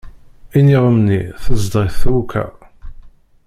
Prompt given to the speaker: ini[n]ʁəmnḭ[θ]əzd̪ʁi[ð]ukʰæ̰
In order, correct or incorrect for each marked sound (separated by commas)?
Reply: incorrect, correct, incorrect